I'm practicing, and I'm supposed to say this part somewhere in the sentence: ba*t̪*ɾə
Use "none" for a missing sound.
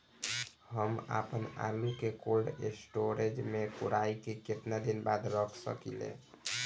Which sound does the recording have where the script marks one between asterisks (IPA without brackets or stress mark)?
d̪